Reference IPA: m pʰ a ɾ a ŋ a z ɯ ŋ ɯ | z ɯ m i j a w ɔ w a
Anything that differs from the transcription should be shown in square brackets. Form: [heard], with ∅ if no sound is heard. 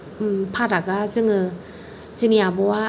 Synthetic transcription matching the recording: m pʰ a ɾ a [ɡ] a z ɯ ŋ ɯ | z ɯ m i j a [b] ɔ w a